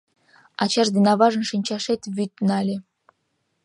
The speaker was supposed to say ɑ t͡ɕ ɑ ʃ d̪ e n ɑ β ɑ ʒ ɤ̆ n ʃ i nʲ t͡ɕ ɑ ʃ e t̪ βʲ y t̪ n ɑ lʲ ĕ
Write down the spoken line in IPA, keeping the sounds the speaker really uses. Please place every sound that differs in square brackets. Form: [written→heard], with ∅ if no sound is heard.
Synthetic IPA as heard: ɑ t͡ɕ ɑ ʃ d̪ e n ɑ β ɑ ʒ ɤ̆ n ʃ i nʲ t͡ɕ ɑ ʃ e t̪ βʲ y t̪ n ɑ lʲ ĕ